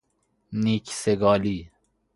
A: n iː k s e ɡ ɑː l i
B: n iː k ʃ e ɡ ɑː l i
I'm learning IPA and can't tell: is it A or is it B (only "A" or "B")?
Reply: A